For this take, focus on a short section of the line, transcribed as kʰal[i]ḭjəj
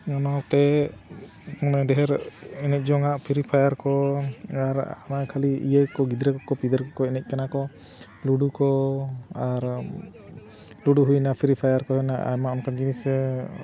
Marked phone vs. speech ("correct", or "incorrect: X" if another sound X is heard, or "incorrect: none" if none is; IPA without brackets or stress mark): correct